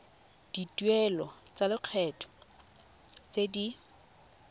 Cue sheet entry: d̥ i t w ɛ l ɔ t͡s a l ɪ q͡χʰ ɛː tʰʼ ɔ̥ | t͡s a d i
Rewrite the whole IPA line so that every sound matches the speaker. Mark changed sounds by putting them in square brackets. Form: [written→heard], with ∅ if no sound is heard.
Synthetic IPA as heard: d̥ i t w ɛ l ɔ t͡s a l ɪ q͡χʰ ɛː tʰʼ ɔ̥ | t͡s [a→e] d i